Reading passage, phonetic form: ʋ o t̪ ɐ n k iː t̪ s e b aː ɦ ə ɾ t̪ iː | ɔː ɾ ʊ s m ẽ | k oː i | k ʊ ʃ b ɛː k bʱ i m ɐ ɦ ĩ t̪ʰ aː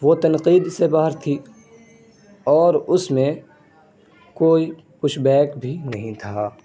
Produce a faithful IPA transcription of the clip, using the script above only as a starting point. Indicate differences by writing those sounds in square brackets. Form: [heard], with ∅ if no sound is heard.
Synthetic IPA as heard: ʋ o t̪ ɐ n [q] iː [d̪] s e b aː ɦ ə ɾ [t̪ʰ] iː | ɔː ɾ ʊ s m ẽ | k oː i | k ʊ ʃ b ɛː k bʱ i [n] ɐ ɦ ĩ t̪ʰ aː